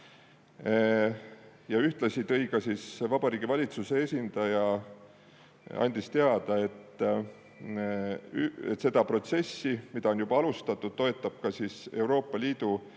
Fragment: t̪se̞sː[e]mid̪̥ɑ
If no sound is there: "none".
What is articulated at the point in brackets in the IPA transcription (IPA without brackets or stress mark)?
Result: i